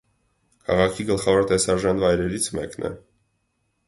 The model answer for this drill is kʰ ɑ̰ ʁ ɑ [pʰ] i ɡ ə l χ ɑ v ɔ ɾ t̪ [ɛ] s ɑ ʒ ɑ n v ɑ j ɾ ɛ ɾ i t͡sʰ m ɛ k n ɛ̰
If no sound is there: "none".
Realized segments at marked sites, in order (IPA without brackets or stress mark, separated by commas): kʰ, ɛ